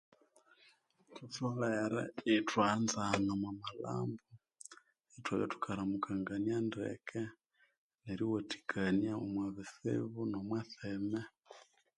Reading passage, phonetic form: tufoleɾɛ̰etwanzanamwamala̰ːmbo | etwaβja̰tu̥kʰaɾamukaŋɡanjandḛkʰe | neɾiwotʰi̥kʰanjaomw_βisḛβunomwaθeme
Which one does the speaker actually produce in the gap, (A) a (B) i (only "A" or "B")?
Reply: A